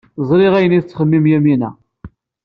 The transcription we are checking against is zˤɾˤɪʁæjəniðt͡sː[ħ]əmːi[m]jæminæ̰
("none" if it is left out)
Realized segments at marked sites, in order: χ, m

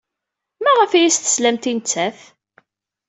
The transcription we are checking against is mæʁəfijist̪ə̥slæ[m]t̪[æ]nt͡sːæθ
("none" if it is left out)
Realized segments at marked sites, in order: m, i

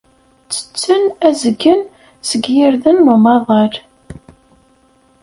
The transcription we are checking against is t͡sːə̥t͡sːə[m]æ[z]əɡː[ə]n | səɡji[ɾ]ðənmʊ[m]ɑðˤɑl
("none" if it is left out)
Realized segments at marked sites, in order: n, z, ə, ɾ, m

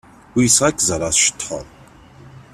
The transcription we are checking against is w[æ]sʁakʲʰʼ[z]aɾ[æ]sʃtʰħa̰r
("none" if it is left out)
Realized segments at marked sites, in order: i, z, a

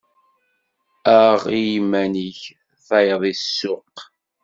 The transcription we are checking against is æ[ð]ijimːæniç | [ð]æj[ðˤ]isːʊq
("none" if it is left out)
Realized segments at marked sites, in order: ʁ, θ, ðˤ

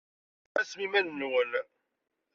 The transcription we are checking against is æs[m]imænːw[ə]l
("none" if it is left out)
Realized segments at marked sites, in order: m, ə

